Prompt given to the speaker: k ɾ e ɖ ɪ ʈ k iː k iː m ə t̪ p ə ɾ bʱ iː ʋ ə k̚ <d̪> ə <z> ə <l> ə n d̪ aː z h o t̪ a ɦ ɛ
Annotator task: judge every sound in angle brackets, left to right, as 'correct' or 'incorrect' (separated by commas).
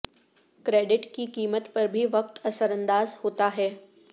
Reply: incorrect, incorrect, incorrect